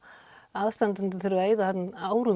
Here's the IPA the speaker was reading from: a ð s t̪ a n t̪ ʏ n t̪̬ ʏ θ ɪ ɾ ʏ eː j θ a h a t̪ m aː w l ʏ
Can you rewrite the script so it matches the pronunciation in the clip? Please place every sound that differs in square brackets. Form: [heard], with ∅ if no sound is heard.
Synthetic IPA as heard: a ð s t̪ a n t̪ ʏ n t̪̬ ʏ θ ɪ ɾ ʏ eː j [ð] a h a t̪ [n] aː w [ɾ] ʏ